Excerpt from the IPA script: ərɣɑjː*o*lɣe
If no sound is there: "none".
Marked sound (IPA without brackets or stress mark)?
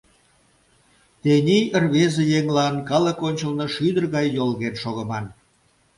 o